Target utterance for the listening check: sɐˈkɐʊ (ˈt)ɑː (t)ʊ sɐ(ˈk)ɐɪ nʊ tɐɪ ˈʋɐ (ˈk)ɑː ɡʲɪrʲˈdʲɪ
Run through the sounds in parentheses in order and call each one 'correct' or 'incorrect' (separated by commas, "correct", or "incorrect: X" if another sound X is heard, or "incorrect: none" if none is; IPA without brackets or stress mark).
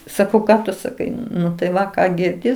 incorrect: k, correct, correct, correct